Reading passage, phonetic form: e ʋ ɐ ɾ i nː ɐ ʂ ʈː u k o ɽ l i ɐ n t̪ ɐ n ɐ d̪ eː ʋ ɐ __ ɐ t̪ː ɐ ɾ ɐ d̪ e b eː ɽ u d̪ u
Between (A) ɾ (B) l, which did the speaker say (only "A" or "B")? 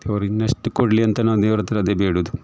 A